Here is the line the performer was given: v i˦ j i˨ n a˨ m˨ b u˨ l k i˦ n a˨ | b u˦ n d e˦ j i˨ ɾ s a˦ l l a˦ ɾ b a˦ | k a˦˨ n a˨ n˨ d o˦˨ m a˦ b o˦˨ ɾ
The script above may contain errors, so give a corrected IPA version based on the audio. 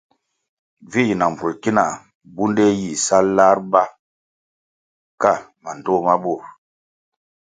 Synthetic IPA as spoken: v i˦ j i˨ n a˨ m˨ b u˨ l k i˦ n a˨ | b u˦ n d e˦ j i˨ s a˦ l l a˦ ɾ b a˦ | k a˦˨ m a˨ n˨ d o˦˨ m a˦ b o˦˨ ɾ